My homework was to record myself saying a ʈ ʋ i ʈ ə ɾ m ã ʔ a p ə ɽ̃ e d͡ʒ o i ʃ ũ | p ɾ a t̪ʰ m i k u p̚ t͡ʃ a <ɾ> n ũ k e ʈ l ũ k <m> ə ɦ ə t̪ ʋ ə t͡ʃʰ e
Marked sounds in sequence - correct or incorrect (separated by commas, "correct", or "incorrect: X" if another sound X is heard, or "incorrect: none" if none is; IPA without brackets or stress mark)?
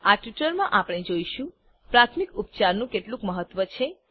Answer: correct, correct